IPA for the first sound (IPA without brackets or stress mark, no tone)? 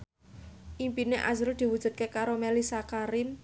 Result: ʔ